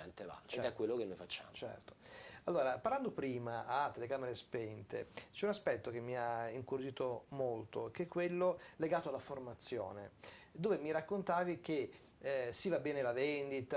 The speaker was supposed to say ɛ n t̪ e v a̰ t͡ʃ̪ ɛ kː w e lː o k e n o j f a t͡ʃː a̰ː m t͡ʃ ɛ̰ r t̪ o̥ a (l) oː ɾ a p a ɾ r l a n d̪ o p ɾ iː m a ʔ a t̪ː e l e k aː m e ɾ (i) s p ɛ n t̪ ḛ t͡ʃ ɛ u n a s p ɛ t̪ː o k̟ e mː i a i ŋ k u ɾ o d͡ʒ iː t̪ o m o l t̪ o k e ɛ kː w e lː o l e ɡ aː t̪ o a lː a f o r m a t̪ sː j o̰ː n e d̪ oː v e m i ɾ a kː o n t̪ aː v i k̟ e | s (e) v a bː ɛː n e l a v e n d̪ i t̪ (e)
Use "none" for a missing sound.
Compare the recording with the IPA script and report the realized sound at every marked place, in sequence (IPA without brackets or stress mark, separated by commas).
lː, e, i, a